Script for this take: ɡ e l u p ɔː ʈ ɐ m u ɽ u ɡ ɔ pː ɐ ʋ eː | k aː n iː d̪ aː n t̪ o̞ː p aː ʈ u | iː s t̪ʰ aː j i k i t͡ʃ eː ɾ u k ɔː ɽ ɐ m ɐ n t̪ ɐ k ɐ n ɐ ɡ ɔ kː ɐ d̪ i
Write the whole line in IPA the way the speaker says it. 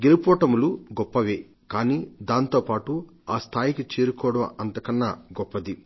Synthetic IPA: ɡ e l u p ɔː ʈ ɐ m u l u ɡ ɔ pː ɐ ʋ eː | k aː n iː d̪ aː n t̪ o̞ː p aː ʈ u | aː s t̪ʰ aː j i k i t͡ʃ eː ɾ u k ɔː ɽ ɐ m ɐ n t̪ ɐ k ɐ nː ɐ ɡ ɔ pː ɐ d̪ i